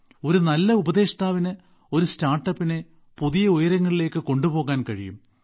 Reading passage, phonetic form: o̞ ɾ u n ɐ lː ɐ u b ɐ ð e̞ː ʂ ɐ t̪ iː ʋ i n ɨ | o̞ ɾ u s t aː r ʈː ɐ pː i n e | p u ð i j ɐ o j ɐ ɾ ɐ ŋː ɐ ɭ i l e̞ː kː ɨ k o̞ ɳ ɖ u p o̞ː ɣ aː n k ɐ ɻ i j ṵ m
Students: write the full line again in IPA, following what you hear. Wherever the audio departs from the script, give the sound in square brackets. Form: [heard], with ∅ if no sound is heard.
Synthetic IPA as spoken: o̞ ɾ u n ɐ lː ɐ u b ɐ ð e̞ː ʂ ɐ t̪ [aː] ʋ i n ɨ | o̞ ɾ u s t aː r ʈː ɐ pː i n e | p u ð i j ɐ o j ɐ ɾ ɐ ŋː ɐ ɭ i l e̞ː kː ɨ k o̞ ɳ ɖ u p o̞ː ɣ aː n k ɐ ɻ i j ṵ m